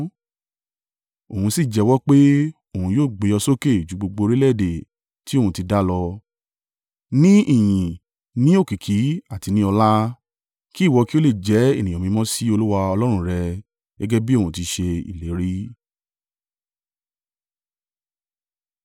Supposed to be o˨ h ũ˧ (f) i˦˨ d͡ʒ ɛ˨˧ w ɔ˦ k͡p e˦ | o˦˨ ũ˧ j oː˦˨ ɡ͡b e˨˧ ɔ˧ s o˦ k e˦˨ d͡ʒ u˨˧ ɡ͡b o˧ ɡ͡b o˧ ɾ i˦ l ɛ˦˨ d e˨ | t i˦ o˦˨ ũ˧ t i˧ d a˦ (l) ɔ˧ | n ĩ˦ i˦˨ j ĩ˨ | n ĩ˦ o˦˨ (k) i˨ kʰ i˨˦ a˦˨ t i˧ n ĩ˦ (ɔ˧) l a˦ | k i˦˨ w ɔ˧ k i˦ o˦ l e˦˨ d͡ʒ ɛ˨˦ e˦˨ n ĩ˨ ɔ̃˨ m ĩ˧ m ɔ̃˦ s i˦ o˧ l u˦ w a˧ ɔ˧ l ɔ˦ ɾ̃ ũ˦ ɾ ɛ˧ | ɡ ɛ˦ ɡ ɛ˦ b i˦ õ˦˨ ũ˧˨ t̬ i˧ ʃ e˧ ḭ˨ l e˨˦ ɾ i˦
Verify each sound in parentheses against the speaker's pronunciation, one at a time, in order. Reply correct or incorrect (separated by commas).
incorrect, correct, correct, correct